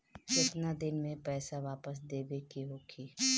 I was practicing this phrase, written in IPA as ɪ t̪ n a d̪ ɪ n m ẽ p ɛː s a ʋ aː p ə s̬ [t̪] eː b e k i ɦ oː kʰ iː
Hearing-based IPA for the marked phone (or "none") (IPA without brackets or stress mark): d̪